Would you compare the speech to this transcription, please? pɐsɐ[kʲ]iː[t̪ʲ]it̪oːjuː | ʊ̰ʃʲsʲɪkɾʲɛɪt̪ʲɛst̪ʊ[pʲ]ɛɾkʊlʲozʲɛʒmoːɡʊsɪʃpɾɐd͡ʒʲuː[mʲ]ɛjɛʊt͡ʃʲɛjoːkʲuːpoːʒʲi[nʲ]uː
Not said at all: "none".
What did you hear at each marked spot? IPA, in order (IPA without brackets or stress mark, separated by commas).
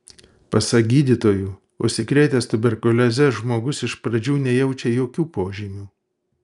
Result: ɡʲ, d̪ʲ, bʲ, nʲ, mʲ